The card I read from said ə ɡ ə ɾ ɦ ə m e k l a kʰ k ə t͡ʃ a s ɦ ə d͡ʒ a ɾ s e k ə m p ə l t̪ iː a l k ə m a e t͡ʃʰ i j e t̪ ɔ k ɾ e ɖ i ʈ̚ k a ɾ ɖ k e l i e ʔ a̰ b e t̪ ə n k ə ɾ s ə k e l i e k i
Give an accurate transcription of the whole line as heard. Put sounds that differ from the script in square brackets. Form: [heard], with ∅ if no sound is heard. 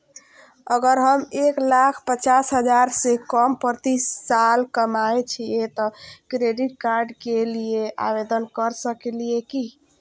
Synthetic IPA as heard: ə ɡ ə ɾ ɦ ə m e k l a kʰ [p] ə t͡ʃ a s ɦ ə d͡ʒ a ɾ s e k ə m p ə [ɾ] t̪ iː a l k ə m a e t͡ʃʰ i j e t̪ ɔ k ɾ e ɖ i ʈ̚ k a ɾ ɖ k e l i e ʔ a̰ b e [d̪] ə n k ə ɾ s ə k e l i e k i